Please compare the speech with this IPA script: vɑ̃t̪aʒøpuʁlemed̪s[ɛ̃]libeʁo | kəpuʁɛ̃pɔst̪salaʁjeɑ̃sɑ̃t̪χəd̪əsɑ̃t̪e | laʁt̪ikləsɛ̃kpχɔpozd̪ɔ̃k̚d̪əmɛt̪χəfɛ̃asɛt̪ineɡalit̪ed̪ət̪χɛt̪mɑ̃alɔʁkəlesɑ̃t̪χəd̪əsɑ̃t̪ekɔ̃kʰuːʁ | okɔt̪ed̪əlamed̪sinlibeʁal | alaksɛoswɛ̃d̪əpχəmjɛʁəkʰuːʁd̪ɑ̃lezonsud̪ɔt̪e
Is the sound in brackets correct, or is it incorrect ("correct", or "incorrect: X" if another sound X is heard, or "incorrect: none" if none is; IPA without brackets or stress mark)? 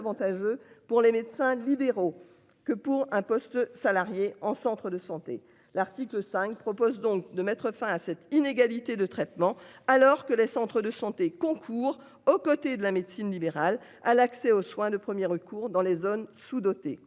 correct